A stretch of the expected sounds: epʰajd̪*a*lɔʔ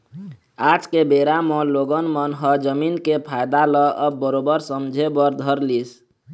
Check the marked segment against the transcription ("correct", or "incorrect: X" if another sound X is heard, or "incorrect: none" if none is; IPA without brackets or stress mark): correct